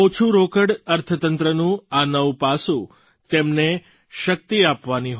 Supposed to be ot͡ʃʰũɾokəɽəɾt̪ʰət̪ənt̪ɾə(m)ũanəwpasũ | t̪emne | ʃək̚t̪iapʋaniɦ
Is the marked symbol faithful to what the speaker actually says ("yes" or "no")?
no